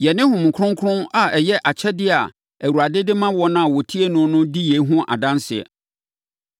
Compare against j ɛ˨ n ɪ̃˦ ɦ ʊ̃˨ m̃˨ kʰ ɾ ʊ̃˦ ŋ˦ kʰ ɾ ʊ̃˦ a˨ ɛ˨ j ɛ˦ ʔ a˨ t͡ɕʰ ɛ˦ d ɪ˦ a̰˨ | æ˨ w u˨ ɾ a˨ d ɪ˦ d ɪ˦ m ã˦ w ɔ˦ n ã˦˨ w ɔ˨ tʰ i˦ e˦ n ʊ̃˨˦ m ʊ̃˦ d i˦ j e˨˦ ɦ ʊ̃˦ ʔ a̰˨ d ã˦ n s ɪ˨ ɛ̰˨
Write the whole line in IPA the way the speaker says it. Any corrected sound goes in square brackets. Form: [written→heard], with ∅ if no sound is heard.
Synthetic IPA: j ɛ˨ n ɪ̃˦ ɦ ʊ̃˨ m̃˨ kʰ ɾ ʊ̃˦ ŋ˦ kʰ ɾ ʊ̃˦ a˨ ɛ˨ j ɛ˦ ʔ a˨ t͡ɕʰ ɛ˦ d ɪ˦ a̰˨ | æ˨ w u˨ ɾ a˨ d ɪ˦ d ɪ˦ m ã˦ w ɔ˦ n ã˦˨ w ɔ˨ tʰ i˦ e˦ n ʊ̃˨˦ [m→n] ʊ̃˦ d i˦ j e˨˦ ɦ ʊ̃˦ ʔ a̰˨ d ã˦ n s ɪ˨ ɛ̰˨